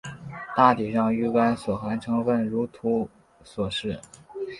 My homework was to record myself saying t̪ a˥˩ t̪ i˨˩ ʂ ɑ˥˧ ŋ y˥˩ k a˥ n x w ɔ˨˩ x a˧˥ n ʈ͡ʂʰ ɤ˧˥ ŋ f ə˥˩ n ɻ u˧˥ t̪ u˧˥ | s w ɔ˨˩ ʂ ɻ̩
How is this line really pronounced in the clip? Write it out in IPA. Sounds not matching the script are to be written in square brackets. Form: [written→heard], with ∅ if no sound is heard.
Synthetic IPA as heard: t̪ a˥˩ t̪ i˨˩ ʂ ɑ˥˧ ŋ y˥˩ k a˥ n [x→s] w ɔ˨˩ x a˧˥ n ʈ͡ʂʰ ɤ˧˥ ŋ f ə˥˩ n ɻ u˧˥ [t̪→t̪ʰ] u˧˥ | s w ɔ˨˩ ʂ ɻ̩